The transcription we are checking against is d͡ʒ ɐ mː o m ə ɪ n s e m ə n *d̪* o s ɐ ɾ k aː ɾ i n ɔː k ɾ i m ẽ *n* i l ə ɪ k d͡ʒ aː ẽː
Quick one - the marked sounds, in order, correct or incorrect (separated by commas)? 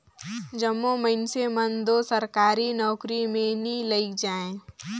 correct, correct